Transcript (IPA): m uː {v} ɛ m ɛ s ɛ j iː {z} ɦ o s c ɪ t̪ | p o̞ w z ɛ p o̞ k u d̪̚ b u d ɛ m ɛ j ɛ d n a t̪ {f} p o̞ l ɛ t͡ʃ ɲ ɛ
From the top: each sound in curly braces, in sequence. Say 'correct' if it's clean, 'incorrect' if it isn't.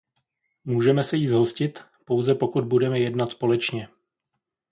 incorrect, correct, incorrect

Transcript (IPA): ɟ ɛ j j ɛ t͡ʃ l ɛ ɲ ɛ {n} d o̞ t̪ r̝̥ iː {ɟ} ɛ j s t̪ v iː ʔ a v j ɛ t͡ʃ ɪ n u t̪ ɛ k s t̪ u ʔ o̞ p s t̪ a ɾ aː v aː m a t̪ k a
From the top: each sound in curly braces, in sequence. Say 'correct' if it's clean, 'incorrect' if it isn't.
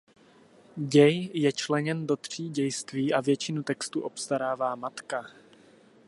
correct, correct

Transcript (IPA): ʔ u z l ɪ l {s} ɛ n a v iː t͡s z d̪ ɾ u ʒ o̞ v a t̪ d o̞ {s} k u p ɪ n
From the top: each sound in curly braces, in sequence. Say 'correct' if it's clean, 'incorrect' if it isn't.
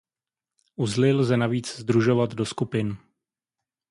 incorrect, correct

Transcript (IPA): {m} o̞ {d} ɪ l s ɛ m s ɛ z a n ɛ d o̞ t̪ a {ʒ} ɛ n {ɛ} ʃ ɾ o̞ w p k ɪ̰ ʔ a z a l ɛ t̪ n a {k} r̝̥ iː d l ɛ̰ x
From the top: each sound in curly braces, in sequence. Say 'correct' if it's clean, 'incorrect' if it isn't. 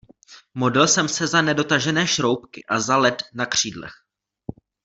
correct, correct, correct, incorrect, correct

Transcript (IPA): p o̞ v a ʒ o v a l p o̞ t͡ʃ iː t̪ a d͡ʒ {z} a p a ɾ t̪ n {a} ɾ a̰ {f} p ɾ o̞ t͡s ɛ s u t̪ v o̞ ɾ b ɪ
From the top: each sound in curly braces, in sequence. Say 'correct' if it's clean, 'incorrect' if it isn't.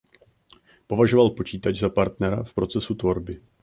correct, incorrect, correct

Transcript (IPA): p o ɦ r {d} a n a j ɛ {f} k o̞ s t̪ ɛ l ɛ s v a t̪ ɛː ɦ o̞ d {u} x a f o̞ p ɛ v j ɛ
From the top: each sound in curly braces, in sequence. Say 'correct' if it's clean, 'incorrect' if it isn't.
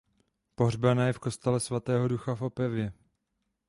incorrect, correct, correct

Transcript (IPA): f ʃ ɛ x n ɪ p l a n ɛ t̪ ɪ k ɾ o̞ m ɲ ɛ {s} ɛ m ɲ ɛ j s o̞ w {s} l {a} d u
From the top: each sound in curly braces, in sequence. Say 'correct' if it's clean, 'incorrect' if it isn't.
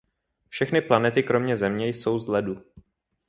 incorrect, incorrect, incorrect

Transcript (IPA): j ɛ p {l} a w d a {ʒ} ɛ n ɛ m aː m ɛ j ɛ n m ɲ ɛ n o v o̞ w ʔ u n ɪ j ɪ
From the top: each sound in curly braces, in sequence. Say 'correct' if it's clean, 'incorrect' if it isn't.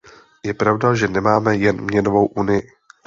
incorrect, correct

